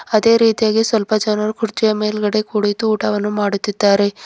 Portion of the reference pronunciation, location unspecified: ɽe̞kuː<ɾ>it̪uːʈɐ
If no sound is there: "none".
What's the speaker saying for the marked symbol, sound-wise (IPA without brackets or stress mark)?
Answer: ɽ